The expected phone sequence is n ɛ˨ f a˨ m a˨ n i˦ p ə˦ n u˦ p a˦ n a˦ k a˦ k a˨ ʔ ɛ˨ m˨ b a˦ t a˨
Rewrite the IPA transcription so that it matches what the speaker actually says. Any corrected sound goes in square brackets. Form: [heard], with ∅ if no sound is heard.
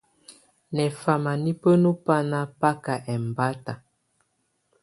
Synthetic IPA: n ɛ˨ f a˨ m a˨ n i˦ p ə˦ n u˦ p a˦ n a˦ [p] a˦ k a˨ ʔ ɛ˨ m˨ b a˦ t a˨